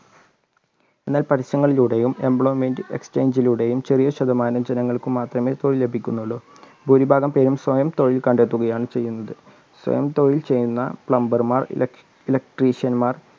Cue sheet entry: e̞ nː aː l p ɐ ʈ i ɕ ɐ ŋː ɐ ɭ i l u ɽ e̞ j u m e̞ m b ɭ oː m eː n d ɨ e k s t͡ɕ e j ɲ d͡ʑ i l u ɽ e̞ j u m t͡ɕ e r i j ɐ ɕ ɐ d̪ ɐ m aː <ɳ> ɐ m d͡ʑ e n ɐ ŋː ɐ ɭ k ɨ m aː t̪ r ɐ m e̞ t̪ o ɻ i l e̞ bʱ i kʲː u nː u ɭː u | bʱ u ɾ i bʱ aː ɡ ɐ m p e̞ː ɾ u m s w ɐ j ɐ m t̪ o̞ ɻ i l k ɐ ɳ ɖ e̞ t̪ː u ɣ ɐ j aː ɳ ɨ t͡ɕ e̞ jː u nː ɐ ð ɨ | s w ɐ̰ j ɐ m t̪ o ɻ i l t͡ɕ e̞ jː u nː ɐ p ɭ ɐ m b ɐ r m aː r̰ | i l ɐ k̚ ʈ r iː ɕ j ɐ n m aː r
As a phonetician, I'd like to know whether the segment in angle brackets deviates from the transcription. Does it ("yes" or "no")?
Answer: yes